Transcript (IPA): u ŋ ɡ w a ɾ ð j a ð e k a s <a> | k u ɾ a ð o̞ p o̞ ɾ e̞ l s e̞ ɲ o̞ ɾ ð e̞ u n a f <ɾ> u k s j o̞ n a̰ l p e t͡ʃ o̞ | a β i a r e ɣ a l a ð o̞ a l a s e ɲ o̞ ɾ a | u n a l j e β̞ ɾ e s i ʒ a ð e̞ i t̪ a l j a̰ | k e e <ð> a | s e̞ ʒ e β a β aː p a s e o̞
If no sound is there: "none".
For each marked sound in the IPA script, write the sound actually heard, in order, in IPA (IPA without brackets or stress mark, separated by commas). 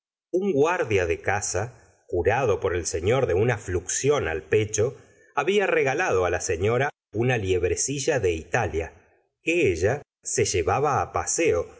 a, l, ʒ